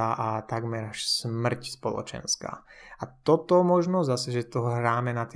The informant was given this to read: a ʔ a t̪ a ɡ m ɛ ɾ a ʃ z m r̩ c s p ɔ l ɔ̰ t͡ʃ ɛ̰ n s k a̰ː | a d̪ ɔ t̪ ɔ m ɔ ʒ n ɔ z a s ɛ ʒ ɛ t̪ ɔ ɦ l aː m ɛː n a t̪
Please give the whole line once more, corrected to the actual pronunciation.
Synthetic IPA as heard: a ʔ a t̪ a ɡ m ɛ ɾ a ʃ s m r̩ c s p ɔ l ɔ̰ t͡ʃ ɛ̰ n s k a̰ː | a t̪ ɔ t̪ ɔ m ɔ ʒ n ɔ z a s ɛ ʒ ɛ t̪ ɔ ɦ ɾ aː m ɛ n a t̪